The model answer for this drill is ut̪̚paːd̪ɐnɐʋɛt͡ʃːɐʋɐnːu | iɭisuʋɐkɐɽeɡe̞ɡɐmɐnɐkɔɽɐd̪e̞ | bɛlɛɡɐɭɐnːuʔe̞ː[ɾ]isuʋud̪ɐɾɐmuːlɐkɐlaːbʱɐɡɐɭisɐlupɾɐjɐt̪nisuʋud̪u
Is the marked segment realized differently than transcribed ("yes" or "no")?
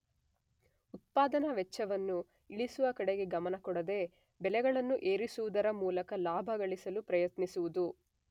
no